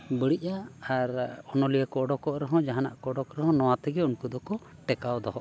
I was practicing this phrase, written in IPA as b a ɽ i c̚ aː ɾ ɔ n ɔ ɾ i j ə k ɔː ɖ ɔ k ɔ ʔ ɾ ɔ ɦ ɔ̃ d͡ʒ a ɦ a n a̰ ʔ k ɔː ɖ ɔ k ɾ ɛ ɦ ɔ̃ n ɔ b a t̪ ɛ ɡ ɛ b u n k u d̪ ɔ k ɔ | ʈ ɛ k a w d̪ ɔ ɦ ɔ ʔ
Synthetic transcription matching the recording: b ə ɽ i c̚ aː ɾ ɔ n ɔ l i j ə k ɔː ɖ ɔ k ɔ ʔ ɾ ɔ ɦ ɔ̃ d͡ʒ a ɦ a n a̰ ʔ k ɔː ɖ ɔ k ɾ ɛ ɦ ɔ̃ n ɔ w a t̪ ɛ ɡ ɛ u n k u d̪ ɔ k ɔ | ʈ ɛ k a w d̪ ɔ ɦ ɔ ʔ